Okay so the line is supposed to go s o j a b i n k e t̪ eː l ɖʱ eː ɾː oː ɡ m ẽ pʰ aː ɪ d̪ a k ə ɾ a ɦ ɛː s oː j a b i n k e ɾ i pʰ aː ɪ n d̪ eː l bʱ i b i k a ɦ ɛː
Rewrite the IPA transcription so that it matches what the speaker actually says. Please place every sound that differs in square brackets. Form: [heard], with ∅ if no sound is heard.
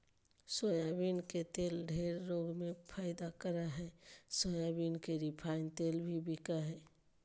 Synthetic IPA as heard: s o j a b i n k e t̪ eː l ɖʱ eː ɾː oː ɡ m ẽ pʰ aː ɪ d̪ a k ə ɾ a ɦ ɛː s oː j a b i n k e ɾ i pʰ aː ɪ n [t̪] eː l bʱ i b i k a ɦ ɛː